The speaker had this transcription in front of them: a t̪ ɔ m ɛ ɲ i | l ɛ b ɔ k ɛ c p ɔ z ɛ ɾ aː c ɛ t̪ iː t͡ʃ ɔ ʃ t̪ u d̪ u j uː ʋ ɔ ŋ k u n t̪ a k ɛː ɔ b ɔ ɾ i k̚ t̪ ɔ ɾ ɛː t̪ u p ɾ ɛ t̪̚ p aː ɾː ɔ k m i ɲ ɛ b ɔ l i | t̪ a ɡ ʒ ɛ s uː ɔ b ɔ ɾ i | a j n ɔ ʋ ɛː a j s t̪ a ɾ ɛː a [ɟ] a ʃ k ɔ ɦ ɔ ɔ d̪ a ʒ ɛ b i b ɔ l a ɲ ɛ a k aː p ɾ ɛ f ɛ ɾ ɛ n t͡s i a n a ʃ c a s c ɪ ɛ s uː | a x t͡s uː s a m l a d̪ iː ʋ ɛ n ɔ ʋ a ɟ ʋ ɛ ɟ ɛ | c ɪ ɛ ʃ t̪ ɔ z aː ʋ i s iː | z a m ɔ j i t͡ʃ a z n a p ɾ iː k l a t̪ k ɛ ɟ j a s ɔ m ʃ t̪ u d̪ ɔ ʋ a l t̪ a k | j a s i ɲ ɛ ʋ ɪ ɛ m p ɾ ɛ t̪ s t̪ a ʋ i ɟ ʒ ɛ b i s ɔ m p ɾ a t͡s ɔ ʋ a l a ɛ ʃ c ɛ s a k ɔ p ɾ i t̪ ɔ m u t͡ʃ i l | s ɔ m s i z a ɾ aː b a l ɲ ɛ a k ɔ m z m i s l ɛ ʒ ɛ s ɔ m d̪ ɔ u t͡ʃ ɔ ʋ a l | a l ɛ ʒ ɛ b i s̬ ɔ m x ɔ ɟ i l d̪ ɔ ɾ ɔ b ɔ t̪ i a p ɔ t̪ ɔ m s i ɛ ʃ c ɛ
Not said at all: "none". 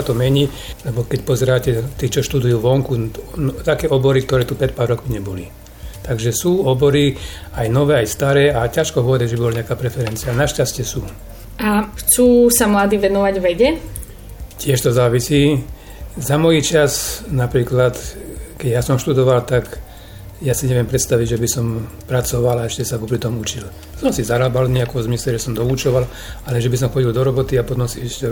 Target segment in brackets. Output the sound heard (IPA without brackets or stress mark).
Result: c